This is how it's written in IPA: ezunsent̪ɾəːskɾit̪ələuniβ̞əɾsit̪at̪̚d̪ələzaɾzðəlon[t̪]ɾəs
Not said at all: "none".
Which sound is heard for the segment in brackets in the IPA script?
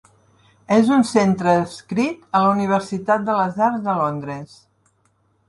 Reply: d̪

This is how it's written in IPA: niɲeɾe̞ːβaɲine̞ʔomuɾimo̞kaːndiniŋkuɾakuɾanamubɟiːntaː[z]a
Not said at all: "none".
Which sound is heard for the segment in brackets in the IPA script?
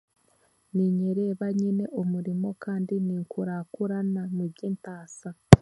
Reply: s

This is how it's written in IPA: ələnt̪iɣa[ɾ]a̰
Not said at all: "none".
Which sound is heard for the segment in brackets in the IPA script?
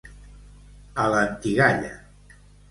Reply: ʎ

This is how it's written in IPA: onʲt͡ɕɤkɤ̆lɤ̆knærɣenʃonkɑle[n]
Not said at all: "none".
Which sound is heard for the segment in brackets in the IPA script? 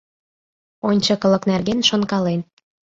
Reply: n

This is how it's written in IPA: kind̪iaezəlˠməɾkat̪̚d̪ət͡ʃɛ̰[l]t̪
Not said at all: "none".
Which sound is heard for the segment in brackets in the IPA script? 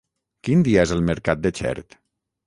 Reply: ɾ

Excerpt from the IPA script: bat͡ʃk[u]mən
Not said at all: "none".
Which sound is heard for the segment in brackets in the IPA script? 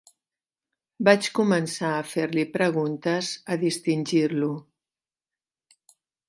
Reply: u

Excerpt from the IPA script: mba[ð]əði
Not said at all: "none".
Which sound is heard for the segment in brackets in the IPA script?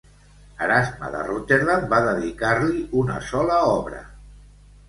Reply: ð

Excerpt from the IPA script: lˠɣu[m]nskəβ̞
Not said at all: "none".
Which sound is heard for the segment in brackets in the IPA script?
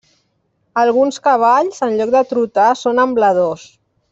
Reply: none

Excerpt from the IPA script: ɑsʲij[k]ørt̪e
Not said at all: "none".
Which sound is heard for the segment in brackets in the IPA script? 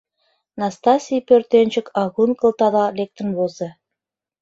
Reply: p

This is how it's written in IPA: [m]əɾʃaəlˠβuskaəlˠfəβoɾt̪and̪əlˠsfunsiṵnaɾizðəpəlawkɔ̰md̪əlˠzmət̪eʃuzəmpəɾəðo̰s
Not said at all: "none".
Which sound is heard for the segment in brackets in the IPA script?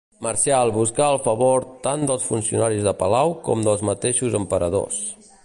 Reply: m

